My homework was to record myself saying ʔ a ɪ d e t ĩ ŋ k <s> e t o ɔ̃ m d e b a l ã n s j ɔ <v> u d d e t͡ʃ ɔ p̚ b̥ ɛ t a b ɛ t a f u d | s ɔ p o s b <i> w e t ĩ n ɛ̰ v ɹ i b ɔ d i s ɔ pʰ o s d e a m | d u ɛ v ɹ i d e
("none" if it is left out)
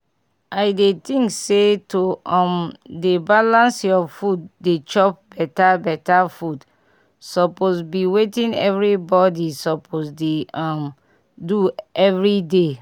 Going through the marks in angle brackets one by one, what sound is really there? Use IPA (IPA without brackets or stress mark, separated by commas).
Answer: s, f, i